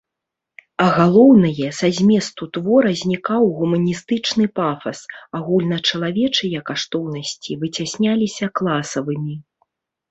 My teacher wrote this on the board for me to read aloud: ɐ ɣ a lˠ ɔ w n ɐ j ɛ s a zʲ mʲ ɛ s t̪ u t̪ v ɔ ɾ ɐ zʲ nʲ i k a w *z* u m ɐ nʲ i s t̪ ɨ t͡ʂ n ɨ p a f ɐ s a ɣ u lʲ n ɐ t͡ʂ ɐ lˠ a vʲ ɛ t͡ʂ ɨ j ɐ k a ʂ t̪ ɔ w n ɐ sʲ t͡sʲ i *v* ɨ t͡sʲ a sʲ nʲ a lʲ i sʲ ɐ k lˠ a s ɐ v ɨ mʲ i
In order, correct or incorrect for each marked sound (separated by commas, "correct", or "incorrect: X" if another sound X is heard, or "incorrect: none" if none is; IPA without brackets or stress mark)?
incorrect: ɣ, correct